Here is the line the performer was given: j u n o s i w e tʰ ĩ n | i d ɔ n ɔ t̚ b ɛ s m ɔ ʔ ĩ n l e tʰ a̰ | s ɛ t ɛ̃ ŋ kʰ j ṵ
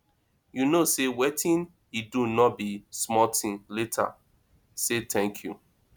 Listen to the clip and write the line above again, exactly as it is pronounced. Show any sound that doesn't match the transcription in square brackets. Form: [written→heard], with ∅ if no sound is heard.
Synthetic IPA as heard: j u n o s [i→e] w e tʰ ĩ n | i d [ɔ→u] n ɔ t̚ b [ɛ→i] s m ɔ [ʔ→t] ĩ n l e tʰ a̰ | s [ɛ→e] t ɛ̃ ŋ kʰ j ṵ